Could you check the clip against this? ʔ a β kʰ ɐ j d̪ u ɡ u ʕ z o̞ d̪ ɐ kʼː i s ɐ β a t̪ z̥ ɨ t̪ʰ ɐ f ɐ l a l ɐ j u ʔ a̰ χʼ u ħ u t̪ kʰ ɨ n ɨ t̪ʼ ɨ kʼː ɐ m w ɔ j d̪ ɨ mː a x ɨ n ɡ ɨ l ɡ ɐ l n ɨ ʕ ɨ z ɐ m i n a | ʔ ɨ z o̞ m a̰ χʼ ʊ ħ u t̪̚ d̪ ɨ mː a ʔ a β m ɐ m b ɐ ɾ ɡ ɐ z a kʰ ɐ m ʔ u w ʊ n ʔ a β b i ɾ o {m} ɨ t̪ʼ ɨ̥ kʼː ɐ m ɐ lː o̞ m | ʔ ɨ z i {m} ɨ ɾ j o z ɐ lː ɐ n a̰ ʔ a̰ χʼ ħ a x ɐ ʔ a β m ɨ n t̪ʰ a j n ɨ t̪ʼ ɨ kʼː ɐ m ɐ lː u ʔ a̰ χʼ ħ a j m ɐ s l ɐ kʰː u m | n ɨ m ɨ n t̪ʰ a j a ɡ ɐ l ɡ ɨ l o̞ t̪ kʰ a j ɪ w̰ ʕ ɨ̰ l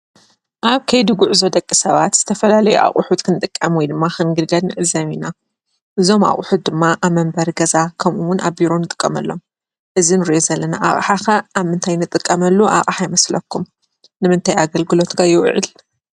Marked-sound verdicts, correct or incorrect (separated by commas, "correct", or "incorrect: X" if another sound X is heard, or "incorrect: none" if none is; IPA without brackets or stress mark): incorrect: n, incorrect: n